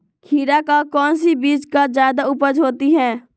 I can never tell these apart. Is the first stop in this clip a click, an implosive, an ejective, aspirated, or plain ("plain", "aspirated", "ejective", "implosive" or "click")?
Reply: aspirated